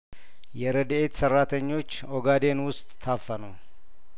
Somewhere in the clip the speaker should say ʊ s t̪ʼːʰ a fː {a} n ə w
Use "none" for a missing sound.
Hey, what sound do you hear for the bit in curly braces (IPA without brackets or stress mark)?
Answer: ə